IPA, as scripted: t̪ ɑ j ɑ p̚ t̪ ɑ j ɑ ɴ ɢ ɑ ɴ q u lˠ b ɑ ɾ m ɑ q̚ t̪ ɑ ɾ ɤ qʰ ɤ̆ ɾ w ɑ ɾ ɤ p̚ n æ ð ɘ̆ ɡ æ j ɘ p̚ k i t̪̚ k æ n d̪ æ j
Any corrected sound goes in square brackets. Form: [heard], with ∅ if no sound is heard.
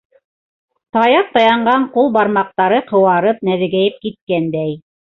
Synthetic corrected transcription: t̪ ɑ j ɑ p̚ t̪ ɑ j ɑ ɴ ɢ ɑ ɴ q u lˠ b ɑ ɾ m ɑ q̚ t̪ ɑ ɾ ɤ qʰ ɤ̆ [∅] w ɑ ɾ ɤ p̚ n æ ð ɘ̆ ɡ æ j ɘ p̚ k i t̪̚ k æ n d̪ æ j